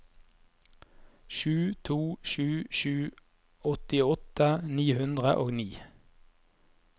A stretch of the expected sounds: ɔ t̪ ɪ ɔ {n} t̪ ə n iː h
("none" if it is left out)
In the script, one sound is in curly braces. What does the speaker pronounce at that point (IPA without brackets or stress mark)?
none